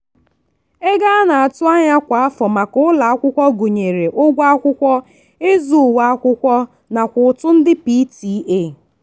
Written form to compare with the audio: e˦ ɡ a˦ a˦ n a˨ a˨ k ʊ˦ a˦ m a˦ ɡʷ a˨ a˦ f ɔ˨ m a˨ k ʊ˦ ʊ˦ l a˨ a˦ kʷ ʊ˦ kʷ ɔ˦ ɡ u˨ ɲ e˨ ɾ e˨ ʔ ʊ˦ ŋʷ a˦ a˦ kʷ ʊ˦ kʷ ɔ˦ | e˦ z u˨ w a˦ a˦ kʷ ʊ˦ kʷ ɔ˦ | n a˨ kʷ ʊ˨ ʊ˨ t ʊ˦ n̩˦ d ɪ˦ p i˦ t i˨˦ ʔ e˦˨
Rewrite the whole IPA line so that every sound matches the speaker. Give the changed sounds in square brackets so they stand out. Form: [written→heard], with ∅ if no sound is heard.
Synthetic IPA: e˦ ɡ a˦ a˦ n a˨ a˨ [k→t] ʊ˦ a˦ [m→ɲ] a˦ [ɡʷ→kʷ] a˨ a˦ f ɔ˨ m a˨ k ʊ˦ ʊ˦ l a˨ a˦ kʷ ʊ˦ kʷ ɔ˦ ɡ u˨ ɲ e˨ ɾ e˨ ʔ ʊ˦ [ŋʷ→ɡʷ] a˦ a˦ kʷ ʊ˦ kʷ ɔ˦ | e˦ z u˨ w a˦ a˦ kʷ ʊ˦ kʷ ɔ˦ | n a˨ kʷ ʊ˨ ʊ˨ t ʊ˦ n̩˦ d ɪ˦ p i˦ t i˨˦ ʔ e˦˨